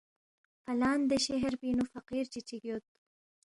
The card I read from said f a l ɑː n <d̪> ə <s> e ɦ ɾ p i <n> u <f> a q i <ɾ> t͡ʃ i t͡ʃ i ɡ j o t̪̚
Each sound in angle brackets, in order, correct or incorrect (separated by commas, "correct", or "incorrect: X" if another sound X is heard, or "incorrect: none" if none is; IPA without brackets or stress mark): correct, incorrect: ʃ, correct, correct, correct